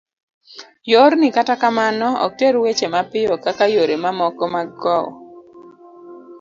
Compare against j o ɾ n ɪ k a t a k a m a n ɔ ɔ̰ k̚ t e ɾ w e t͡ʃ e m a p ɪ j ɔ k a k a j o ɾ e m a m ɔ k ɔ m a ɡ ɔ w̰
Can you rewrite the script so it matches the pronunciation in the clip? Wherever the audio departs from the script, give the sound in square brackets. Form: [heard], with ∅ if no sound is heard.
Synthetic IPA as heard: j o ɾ n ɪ k a t a k a m a n ɔ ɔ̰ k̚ t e ɾ w e t͡ʃ e m a p ɪ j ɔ k a k a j o ɾ e m a m ɔ k ɔ m a ɡ ɔ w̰